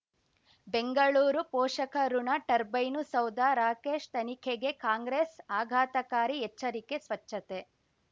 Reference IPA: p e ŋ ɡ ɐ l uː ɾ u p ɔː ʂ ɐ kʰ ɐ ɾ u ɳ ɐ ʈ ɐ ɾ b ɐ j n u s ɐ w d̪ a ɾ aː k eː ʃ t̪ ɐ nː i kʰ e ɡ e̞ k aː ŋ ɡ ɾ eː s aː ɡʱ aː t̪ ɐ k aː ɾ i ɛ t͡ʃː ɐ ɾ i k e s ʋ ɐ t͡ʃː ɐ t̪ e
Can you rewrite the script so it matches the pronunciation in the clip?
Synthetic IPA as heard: b e ŋ ɡ ɐ ɭ uː ɾ u p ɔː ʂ ɐ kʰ ɐ ɾ u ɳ ɐ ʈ ɐ ɾ b ɐ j n u s ɐ w d̪ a ɾ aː k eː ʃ t̪ ɐ n i kʰ e ɡ e̞ k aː ŋ ɡ ɾ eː s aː ɡʱ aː t̪ ɐ k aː ɾ i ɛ t͡ʃː ɐ ɾ i k e s ʋ ɐ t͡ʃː ɐ t̪ e